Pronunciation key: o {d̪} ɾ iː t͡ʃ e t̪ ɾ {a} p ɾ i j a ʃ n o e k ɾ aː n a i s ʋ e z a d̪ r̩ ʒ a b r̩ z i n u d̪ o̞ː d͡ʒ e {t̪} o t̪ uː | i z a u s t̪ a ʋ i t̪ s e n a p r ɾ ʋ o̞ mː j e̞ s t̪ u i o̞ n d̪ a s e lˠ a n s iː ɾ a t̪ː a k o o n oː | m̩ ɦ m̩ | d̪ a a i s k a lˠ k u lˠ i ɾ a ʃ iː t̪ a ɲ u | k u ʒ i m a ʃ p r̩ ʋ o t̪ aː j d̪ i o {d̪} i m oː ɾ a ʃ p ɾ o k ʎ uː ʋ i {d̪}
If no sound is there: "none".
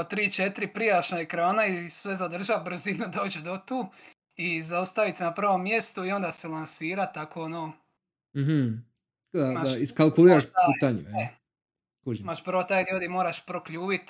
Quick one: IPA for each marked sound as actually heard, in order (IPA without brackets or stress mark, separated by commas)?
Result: t̪, i, d̪, d̪, t̪